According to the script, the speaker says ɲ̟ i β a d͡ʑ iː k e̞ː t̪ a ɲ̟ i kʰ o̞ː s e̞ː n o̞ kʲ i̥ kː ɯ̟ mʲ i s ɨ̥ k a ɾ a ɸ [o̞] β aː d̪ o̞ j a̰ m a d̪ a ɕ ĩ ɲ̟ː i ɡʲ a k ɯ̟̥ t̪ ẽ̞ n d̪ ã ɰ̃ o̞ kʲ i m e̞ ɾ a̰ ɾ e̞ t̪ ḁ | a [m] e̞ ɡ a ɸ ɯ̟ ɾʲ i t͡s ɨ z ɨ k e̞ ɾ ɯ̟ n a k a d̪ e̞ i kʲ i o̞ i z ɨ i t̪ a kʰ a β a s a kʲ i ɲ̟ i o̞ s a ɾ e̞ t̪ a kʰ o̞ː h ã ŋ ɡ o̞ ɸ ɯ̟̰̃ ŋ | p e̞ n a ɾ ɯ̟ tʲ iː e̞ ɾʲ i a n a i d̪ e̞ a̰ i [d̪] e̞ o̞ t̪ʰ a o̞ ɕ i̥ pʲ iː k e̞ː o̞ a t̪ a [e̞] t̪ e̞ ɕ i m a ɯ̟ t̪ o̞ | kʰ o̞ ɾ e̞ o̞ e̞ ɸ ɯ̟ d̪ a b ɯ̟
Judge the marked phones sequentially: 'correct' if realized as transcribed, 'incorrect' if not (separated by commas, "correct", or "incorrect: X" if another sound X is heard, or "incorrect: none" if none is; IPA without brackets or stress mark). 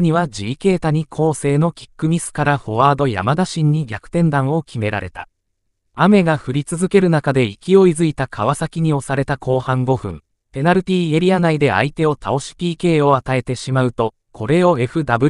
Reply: correct, correct, incorrect: t̪, correct